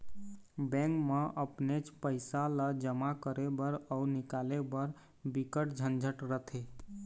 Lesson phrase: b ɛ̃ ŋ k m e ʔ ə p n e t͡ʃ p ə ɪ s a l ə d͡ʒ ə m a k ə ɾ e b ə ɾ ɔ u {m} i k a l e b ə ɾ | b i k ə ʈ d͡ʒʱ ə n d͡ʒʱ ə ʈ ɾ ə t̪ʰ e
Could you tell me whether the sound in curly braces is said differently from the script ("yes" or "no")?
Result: yes